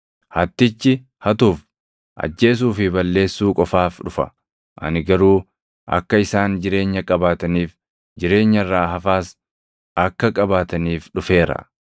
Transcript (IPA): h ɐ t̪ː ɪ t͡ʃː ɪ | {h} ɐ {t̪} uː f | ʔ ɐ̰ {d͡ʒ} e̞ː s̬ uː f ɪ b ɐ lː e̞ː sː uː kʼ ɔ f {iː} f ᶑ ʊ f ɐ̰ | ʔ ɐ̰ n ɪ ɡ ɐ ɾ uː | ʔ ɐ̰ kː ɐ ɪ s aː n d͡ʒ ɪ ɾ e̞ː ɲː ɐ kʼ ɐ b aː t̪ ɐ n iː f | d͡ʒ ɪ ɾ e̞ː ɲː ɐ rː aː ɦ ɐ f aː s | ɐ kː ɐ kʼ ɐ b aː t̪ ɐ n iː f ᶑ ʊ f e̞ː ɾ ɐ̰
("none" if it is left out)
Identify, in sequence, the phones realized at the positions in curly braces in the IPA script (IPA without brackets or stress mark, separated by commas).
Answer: h, t̪, d͡ʒː, aː